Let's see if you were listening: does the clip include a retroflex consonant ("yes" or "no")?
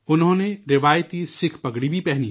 yes